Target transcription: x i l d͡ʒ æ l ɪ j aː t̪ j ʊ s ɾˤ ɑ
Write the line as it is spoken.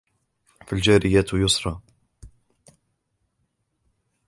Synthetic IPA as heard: f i l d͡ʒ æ ɾ ɪ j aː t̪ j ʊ s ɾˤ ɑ